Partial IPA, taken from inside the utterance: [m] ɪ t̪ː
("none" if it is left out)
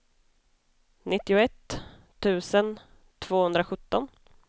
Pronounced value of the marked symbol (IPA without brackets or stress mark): n